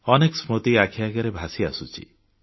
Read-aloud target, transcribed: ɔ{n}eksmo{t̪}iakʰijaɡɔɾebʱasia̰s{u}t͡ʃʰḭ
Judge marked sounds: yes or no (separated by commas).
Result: yes, yes, yes